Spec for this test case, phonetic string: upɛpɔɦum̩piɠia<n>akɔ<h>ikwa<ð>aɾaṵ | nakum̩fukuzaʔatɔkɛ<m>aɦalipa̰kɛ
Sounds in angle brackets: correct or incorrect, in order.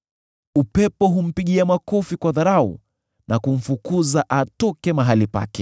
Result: incorrect, incorrect, correct, correct

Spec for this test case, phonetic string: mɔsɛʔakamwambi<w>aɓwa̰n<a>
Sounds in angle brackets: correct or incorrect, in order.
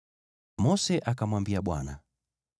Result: incorrect, correct

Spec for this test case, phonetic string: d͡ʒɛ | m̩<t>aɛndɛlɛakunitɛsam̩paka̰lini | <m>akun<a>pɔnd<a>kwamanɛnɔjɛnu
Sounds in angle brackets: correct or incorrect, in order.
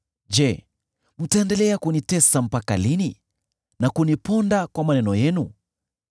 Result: correct, incorrect, incorrect, correct

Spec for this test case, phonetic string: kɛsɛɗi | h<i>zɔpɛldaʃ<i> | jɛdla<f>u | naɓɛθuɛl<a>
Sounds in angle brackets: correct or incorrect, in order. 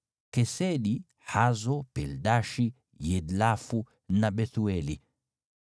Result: incorrect, correct, correct, incorrect

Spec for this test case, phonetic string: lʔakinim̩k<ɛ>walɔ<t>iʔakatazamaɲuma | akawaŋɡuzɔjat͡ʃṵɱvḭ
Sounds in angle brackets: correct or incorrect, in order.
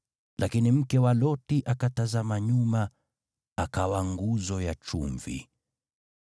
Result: correct, correct

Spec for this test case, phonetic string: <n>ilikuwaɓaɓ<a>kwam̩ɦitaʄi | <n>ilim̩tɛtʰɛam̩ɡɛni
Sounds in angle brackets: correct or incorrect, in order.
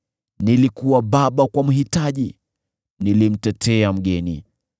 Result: correct, correct, correct

